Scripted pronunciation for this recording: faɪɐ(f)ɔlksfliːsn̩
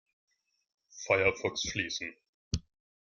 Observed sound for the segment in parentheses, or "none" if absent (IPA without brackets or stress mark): f